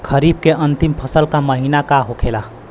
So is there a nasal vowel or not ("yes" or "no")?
no